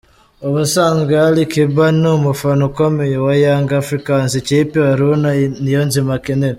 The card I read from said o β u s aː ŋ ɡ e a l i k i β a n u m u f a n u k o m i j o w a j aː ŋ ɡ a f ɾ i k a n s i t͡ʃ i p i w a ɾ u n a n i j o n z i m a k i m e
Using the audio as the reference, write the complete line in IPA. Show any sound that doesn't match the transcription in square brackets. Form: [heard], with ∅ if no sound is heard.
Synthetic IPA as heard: o β u s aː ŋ ɡ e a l i k i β a n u m u f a n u k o m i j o w a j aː ŋ ɡ a f ɾ i k a n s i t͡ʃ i p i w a ɾ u n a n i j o n z i m a k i [n] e